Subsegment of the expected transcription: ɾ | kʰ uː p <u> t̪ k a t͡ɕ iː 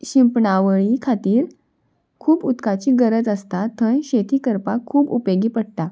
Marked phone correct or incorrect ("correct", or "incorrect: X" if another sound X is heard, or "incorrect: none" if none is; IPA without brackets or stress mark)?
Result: correct